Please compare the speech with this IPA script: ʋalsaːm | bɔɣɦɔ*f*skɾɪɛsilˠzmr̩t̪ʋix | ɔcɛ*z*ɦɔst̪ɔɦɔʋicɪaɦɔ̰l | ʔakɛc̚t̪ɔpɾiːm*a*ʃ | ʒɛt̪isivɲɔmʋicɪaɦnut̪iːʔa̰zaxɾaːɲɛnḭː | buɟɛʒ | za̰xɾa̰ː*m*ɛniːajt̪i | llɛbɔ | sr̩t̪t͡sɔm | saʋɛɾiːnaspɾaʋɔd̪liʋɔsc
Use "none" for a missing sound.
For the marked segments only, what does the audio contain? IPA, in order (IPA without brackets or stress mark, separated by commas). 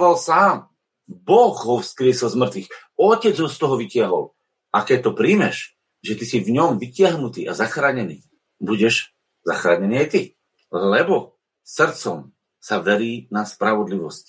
f, d͡z, ɛ, ɲ